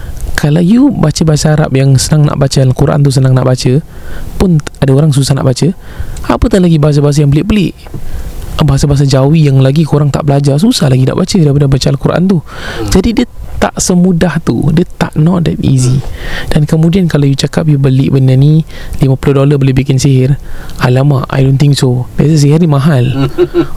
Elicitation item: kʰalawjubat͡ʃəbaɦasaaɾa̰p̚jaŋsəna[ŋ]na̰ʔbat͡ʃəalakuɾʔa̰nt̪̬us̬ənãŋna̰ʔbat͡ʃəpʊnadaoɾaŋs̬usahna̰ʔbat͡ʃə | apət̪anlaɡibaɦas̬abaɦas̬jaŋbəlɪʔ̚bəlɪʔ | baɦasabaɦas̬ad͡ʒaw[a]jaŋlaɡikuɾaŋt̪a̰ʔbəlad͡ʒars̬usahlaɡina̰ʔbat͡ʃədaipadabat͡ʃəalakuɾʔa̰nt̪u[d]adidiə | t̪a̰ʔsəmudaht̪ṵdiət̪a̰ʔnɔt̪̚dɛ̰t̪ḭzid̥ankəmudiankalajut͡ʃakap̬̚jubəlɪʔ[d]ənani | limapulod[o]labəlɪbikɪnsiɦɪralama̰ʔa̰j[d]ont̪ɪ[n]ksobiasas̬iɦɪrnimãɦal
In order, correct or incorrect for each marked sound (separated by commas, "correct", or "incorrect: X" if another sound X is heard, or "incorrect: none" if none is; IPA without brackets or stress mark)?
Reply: correct, incorrect: i, incorrect: d͡ʒ, incorrect: b, correct, correct, incorrect: ŋ